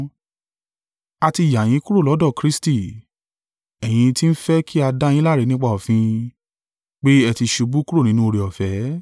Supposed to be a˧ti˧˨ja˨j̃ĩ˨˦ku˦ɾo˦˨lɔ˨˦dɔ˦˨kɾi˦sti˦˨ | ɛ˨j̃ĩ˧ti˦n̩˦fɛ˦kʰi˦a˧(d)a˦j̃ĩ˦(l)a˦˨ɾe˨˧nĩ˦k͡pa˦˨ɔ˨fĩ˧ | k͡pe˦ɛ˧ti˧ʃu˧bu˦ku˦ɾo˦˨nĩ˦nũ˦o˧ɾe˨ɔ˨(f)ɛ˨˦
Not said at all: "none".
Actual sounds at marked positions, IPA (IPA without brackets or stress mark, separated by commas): d, l, f